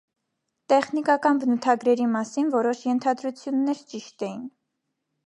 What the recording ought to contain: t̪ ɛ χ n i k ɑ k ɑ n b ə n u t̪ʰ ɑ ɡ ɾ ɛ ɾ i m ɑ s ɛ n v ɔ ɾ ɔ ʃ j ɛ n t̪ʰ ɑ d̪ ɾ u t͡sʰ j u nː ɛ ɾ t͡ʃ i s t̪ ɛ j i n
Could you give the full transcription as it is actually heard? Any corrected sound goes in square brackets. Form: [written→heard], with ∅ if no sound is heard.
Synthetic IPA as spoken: t̪ ɛ χ n i k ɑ k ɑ n b ə n u t̪ʰ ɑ ɡ ɾ ɛ ɾ i m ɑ s [ɛ→i] n v ɔ ɾ ɔ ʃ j ɛ n t̪ʰ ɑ d̪ ɾ u t͡sʰ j u nː ɛ ɾ t͡ʃ i [s→ʃ] t̪ ɛ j i n